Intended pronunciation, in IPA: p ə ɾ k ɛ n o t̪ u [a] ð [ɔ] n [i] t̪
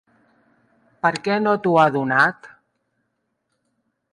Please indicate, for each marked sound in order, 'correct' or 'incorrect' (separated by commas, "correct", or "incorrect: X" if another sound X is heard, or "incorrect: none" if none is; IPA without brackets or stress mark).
correct, incorrect: u, incorrect: a